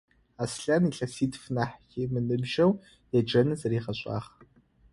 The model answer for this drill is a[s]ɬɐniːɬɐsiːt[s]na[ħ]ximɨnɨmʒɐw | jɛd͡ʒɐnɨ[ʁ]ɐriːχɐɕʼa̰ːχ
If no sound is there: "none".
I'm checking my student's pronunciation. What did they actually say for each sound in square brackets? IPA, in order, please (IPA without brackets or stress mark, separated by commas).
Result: s, f, ħ, z